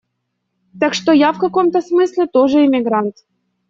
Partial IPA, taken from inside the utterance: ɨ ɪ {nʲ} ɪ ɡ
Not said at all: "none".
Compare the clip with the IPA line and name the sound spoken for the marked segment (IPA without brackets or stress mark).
mʲ